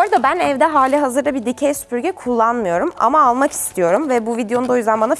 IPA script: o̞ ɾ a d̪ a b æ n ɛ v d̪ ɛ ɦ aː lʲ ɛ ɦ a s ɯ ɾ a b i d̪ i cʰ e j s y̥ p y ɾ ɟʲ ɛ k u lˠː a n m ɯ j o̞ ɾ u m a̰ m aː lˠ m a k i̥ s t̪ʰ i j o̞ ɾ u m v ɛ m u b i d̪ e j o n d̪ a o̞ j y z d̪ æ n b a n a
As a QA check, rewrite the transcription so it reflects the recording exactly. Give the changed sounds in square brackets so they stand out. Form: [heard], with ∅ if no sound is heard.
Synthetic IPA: o̞ ɾ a d̪ a b æ n ɛ v d̪ ɛ ɦ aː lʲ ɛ ɦ a [z] ɯ ɾ a b i d̪ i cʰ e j s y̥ p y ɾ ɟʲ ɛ [kʰ] u lˠː a n m ɯ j o̞ ɾ u m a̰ m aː lˠ m a k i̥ s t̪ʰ i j o̞ ɾ u m v ɛ [b] u [v] i d̪ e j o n d̪ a o̞ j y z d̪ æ n b a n a